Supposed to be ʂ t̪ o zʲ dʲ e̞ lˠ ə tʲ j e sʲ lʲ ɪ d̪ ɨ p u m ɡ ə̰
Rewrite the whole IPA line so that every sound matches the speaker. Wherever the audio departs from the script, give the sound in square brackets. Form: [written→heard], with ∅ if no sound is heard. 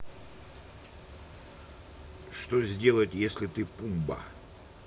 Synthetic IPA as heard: ʂ t̪ o zʲ dʲ e̞ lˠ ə tʲ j e sʲ lʲ ɪ [d̪→t̪] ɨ p u m [ɡ→b] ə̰